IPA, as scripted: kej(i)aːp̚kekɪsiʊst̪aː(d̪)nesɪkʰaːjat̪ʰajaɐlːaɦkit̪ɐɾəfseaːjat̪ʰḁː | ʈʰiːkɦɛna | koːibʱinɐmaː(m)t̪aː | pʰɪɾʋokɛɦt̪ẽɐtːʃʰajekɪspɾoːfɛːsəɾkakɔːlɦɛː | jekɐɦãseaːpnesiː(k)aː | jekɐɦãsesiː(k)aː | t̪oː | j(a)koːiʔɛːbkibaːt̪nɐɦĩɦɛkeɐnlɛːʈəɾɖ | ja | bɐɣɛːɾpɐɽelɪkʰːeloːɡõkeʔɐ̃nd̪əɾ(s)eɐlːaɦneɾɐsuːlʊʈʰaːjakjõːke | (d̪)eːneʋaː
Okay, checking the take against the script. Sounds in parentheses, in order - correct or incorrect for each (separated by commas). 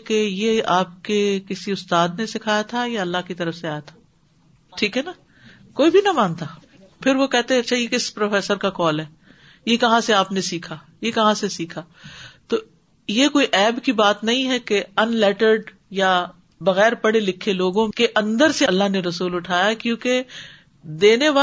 incorrect, correct, incorrect, incorrect, incorrect, incorrect, correct, correct